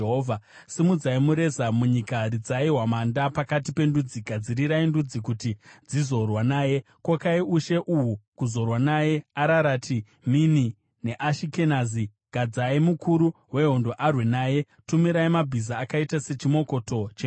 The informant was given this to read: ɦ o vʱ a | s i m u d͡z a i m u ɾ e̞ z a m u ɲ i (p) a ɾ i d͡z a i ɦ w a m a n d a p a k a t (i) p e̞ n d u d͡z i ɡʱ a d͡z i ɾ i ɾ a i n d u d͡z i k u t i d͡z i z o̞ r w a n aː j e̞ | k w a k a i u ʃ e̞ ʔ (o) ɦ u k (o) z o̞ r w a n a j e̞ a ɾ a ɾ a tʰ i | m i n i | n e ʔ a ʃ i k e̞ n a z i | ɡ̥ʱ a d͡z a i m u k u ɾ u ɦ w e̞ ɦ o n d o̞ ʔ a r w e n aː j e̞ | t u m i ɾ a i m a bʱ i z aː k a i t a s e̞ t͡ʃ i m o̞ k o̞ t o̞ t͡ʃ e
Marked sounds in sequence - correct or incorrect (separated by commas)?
incorrect, correct, incorrect, incorrect